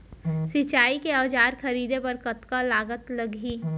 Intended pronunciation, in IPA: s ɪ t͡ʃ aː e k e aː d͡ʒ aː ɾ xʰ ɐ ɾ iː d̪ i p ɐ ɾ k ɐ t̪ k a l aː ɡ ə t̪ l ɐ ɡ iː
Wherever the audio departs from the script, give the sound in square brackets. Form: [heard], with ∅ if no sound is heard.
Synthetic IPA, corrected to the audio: s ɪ t͡ʃ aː [i] k e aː d͡ʒ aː ɾ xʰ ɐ ɾ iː d̪ [e] p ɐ ɾ k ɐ t̪ k a l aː ɡ ə t̪ l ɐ ɡ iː